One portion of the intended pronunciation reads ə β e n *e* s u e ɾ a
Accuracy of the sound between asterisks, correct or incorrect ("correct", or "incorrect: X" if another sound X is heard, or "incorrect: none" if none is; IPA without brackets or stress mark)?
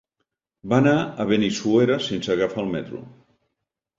incorrect: i